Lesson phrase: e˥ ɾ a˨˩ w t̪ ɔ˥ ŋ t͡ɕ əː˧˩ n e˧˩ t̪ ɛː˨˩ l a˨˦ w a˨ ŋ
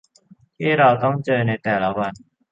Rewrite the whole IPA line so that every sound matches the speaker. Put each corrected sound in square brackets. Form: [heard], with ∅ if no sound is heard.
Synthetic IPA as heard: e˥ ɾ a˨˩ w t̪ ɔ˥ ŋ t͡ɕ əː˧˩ n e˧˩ t̪ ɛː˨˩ l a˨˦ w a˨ [n]